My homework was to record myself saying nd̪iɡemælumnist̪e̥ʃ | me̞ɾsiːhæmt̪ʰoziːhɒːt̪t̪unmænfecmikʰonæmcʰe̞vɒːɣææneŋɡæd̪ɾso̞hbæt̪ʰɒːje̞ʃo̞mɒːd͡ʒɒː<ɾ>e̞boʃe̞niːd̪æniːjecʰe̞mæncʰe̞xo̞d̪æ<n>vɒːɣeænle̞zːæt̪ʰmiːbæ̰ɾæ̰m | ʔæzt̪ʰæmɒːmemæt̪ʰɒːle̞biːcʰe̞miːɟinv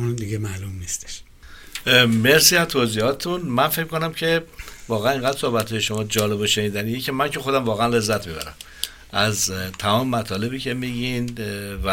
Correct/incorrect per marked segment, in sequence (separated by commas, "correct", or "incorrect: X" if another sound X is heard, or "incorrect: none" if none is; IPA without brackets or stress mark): incorrect: l, incorrect: m